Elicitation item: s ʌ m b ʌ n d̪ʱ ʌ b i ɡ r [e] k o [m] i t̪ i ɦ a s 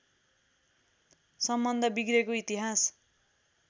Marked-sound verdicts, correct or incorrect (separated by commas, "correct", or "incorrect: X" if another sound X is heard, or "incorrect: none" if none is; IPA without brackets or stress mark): correct, incorrect: none